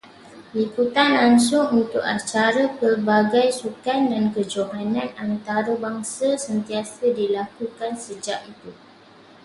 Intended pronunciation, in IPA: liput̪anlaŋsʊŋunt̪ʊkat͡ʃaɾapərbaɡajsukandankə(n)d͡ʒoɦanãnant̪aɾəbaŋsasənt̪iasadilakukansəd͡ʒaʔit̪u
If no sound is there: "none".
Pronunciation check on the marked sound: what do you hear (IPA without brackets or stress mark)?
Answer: none